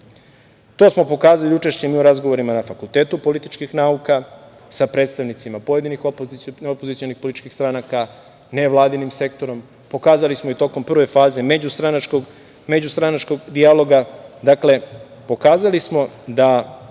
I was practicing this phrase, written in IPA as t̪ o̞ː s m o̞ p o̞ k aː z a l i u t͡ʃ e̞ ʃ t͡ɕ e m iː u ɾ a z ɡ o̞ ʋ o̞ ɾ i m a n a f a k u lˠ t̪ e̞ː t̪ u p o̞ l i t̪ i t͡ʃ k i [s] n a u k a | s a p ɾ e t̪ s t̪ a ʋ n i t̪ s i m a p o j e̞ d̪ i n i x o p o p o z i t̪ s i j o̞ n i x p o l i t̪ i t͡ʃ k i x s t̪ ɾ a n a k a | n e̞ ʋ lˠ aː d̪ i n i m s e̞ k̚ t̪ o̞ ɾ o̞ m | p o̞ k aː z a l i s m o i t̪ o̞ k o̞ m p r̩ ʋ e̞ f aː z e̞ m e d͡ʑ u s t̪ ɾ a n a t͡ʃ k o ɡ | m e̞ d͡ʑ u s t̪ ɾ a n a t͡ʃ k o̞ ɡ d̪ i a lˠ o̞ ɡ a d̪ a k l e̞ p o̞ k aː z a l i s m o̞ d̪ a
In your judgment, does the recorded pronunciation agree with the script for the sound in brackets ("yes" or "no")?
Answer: no